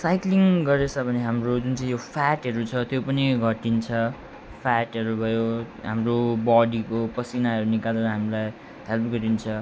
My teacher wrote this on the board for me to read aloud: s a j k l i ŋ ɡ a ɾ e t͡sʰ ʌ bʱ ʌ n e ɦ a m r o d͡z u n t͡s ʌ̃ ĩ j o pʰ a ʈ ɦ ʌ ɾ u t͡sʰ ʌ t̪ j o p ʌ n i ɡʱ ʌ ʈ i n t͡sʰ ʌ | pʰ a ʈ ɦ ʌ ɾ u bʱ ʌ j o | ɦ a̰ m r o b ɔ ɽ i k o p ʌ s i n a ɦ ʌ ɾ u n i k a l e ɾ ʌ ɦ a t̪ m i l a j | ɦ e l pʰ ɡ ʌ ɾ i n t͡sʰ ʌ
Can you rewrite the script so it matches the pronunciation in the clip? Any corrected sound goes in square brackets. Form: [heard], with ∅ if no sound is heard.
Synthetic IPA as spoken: s a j k l i ŋ ɡ [ʌ] ɾ e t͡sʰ ʌ bʱ ʌ n e ɦ a m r o d͡z u n t͡s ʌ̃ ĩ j o pʰ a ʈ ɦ ʌ ɾ u t͡sʰ ʌ t̪ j o p ʌ n i ɡʱ ʌ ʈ i n t͡sʰ ʌ | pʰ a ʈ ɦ ʌ ɾ u bʱ ʌ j o | ɦ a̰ m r o b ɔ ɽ i k o p ʌ s i n a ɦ ʌ ɾ u n i k a l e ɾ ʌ ɦ a [∅] m i l a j | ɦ e l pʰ ɡ ʌ ɾ i n t͡sʰ ʌ